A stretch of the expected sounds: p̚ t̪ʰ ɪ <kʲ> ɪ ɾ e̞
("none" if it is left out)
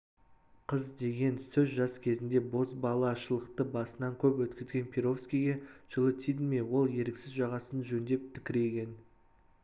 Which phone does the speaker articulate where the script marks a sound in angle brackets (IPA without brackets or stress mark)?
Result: kʲ